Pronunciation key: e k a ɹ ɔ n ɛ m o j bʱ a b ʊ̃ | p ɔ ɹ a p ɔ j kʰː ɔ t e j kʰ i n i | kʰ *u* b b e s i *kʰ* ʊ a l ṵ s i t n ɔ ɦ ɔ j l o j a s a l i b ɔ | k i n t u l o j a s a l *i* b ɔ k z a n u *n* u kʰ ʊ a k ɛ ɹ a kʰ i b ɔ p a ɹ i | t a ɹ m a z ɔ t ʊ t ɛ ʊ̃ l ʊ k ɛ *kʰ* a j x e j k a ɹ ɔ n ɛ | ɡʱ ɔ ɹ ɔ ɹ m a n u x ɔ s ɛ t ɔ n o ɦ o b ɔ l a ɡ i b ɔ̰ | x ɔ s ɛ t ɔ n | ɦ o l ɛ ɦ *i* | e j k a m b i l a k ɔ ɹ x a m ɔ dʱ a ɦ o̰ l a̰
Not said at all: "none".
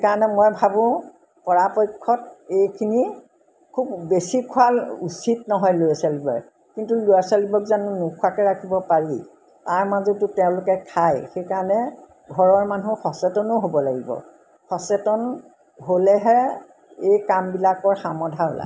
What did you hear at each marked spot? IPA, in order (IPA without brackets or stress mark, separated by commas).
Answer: u, kʰ, i, n, kʰ, ɛ